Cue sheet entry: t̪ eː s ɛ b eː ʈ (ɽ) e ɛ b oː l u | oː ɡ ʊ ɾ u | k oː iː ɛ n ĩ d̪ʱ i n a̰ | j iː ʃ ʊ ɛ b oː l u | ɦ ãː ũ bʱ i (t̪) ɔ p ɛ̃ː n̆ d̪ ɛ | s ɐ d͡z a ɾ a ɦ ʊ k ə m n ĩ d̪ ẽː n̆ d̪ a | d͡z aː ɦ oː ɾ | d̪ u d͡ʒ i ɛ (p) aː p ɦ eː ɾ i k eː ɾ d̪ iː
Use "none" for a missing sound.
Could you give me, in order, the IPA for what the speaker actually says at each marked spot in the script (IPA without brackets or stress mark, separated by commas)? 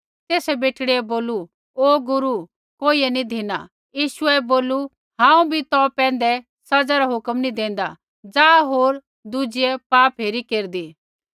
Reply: ɽ, t̪, p